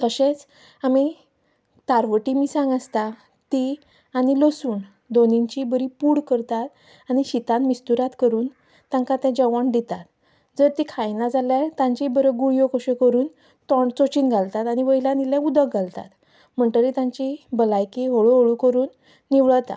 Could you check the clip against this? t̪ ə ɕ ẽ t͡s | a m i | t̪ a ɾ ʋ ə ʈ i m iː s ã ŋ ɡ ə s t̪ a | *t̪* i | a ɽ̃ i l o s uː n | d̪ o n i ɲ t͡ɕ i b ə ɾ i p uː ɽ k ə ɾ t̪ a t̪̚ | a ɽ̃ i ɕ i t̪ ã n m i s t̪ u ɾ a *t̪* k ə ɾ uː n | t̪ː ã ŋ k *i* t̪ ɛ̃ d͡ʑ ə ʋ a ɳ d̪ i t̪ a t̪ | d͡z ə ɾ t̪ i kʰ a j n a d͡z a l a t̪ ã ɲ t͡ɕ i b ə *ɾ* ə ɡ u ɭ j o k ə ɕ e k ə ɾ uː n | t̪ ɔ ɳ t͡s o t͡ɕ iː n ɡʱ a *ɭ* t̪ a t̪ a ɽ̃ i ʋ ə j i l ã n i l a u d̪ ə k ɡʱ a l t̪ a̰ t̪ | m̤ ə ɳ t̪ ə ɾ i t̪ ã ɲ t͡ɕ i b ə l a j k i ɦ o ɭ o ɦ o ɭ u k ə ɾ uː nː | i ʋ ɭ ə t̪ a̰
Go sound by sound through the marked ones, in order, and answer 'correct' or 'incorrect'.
correct, correct, incorrect: a, correct, incorrect: l

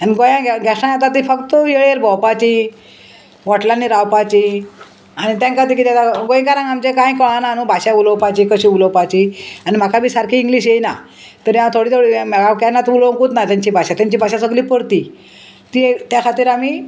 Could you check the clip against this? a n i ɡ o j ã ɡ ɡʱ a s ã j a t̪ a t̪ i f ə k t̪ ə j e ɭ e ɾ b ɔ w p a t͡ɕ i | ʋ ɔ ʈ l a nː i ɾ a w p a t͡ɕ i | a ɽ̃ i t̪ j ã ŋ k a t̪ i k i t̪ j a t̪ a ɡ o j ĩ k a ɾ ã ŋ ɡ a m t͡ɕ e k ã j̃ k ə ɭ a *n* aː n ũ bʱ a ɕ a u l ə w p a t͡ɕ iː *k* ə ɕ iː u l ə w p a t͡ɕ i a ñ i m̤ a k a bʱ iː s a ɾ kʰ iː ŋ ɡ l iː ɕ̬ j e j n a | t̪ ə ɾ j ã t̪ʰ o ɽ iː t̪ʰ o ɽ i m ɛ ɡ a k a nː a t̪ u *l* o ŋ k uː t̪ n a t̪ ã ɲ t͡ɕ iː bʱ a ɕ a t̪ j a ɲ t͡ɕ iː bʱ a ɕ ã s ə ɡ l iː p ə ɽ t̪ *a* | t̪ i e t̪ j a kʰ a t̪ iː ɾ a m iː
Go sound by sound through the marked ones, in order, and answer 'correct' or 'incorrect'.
correct, correct, correct, incorrect: i

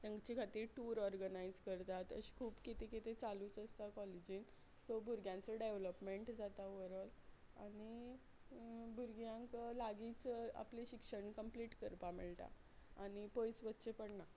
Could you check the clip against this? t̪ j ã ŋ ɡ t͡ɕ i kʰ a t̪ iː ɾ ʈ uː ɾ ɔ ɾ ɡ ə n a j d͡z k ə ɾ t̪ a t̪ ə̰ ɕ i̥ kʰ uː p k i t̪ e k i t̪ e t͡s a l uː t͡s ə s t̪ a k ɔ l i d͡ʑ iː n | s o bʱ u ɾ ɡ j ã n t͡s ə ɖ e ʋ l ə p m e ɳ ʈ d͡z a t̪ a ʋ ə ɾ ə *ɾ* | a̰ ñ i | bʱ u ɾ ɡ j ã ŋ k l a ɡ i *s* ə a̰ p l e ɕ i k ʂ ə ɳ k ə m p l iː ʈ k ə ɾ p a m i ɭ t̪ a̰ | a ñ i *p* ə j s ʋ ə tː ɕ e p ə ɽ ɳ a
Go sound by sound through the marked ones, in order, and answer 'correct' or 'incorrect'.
incorrect: l, incorrect: t͡s, correct

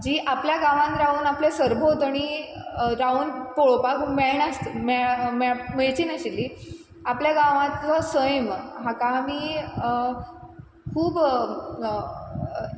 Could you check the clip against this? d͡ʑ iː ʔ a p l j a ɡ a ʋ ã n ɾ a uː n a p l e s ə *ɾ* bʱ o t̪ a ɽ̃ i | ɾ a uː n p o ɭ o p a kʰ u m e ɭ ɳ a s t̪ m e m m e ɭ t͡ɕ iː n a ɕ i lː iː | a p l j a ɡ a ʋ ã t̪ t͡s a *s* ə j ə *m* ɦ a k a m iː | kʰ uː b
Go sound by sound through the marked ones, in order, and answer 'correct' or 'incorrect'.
correct, correct, correct

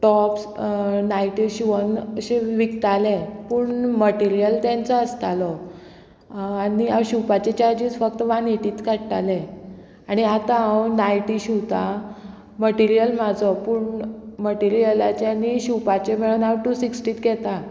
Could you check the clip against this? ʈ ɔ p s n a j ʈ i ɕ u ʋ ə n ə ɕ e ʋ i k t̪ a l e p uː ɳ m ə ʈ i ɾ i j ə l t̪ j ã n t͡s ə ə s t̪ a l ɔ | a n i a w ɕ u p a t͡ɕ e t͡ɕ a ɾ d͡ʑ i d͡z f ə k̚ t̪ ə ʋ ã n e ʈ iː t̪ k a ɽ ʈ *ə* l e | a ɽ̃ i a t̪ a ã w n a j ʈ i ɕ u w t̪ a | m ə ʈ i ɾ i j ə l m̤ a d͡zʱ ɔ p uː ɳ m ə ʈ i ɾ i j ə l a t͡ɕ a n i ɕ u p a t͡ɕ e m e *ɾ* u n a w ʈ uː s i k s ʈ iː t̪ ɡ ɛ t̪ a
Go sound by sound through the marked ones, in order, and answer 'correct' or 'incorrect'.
incorrect: a, incorrect: ɭ

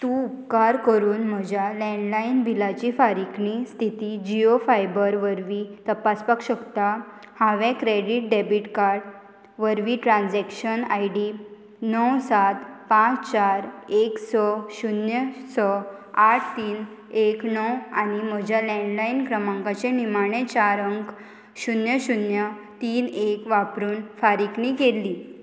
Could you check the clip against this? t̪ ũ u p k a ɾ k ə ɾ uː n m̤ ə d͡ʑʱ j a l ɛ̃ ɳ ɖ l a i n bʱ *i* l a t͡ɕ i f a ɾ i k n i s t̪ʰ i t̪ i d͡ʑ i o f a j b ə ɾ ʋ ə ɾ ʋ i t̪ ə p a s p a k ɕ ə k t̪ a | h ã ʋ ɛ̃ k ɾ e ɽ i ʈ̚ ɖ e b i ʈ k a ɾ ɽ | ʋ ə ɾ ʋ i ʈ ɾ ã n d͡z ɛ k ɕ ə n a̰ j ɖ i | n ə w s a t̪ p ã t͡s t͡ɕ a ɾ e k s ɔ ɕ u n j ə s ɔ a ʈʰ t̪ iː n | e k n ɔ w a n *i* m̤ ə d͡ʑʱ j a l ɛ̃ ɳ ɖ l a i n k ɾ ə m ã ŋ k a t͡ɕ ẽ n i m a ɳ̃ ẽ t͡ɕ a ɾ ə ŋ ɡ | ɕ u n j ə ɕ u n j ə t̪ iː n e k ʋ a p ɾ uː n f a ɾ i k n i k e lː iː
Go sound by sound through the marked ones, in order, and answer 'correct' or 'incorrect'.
correct, correct

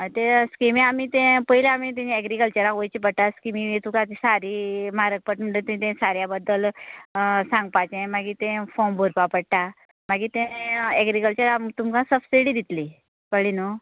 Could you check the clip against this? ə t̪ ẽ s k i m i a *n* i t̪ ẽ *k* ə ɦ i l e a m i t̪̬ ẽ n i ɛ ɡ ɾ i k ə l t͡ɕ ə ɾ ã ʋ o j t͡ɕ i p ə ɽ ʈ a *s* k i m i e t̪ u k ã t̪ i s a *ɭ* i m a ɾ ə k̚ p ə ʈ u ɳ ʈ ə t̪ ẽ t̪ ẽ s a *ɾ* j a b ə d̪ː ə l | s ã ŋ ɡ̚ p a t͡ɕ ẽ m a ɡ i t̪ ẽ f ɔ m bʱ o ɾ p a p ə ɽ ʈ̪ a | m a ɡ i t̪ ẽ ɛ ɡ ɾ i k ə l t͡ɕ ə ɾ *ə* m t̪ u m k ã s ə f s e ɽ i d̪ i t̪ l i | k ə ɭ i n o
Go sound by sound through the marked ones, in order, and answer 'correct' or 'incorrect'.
incorrect: m, incorrect: p, correct, incorrect: ɾ, correct, incorrect: a

